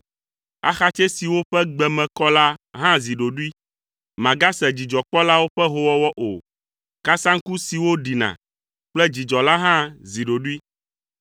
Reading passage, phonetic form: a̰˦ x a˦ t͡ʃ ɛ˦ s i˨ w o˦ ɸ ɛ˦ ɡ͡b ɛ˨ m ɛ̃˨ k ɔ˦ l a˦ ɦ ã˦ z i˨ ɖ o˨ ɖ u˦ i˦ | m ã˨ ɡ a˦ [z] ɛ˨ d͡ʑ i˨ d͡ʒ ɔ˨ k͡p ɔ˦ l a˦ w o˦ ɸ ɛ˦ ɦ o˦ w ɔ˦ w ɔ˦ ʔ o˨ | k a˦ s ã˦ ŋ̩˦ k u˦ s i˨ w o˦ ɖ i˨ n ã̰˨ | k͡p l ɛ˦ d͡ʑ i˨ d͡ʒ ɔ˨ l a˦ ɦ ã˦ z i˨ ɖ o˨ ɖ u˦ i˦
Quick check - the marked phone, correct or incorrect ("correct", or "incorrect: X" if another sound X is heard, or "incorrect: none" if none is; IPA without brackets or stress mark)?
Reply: incorrect: s